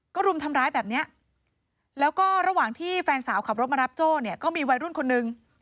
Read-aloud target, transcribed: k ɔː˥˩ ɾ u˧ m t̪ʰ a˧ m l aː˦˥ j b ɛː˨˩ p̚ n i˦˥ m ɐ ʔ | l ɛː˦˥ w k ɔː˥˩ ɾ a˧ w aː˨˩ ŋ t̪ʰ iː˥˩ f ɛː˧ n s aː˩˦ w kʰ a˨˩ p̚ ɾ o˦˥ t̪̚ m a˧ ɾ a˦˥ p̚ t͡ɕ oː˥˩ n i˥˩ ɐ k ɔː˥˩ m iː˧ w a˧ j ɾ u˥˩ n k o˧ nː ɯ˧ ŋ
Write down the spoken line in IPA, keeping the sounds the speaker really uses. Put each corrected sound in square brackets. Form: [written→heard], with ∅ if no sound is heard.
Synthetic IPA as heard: k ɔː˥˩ ɾ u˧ m t̪ʰ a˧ m [l→ɾ] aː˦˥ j b ɛː˨˩ p̚ n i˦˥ [m→∅] ɐ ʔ | l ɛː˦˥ w k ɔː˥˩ ɾ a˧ w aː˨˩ ŋ t̪ʰ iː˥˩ f ɛː˧ n s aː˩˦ w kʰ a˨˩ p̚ ɾ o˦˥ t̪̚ m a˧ ɾ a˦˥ p̚ t͡ɕ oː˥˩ n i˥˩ ɐ k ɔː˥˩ m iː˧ w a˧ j ɾ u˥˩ n [k→kʰ] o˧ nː ɯ˧ ŋ